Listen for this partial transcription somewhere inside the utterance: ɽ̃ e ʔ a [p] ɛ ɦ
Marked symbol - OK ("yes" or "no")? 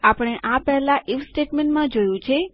yes